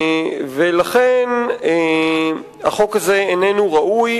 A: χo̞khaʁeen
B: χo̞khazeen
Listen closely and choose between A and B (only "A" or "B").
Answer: B